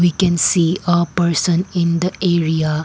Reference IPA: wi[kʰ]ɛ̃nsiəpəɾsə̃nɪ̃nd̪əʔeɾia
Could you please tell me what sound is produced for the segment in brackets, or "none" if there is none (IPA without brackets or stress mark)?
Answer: k